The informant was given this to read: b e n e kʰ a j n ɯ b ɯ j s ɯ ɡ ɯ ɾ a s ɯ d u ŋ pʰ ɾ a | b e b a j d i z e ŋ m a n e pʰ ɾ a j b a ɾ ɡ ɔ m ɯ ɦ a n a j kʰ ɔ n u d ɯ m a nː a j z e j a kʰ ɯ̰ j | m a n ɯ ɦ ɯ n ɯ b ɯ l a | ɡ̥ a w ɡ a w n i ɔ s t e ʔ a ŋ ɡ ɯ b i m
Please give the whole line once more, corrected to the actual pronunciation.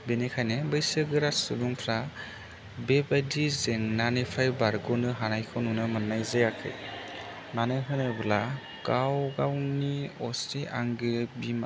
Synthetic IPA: b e n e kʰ a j n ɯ b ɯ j s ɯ ɡ ɯ ɾ a s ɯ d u ŋ pʰ ɾ a | b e b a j d i z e ŋ n a n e pʰ ɾ a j b a ɾ ɡ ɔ n ɯ ɦ a n a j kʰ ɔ n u n ɯ m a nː a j z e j a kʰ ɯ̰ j | m a n ɯ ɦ ɯ n ɯ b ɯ l a | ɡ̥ a w ɡ a w n i ɔ s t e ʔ a ŋ ɡ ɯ b i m